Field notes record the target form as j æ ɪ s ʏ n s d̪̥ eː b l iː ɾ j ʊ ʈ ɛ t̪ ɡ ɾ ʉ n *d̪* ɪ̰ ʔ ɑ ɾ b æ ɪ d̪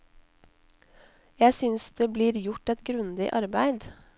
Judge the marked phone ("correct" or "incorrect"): correct